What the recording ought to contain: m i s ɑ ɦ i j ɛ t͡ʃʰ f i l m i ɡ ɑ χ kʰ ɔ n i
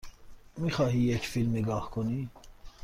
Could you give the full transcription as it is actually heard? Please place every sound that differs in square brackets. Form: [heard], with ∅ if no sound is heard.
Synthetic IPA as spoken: m i [χ] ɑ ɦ i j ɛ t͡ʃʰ f i l m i ɡ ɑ χ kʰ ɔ n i